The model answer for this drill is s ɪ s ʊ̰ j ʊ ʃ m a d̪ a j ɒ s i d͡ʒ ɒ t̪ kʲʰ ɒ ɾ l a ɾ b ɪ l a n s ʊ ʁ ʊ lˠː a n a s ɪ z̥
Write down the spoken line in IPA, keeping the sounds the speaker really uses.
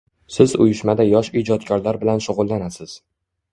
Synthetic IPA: s ɪ z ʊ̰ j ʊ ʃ m a d̪ a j ɒ ʃ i d͡ʒ ɒ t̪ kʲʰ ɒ ɾ l a ɾ b ɪ l a n ʃ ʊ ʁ ʊ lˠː a n a s ɪ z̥